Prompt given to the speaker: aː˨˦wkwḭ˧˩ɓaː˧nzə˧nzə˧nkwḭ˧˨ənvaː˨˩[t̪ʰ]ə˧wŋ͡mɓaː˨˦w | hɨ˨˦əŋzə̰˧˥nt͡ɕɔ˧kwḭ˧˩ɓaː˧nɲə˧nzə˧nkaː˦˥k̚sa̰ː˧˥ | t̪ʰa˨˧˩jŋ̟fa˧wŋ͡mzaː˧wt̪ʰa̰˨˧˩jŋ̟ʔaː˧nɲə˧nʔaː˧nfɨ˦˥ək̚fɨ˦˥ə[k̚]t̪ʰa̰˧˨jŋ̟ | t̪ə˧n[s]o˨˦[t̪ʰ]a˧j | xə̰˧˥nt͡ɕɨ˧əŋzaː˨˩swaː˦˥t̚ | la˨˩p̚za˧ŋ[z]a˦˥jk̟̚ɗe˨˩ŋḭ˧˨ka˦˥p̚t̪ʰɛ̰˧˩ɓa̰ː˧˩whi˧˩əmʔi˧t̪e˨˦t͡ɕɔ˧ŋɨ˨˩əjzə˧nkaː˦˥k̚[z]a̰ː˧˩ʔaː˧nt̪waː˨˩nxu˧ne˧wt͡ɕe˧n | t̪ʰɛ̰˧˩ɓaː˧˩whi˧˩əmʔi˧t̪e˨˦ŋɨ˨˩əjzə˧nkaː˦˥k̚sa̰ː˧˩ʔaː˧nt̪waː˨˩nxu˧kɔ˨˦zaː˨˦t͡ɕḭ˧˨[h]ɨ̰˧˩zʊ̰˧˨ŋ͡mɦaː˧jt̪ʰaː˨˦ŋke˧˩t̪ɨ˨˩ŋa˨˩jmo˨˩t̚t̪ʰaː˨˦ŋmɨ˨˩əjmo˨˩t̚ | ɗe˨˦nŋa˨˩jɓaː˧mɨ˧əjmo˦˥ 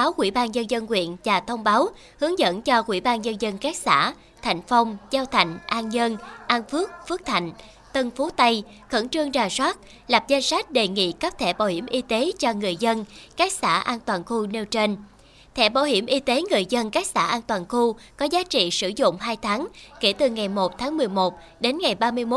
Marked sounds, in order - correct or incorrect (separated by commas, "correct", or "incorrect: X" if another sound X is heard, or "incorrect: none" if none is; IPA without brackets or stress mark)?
correct, correct, incorrect: f, incorrect: t̪, incorrect: s, incorrect: s, incorrect: s